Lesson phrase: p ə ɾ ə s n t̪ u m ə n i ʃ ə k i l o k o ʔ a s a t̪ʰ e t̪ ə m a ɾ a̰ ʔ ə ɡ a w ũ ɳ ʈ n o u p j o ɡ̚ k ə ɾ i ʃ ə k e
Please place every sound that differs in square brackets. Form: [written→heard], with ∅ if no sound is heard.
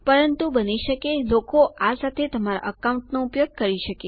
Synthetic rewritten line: p ə ɾ ə [s→∅] n t̪ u [m→b] ə n i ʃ ə k [i→e] l o k o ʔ a s a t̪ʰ e t̪ ə m a ɾ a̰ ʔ ə [ɡ→k] a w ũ ɳ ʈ n o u p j o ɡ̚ k ə ɾ i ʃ ə k e